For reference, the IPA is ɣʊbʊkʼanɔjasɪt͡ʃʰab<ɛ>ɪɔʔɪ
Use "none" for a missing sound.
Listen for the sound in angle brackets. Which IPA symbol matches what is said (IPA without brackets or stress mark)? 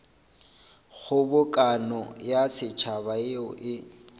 a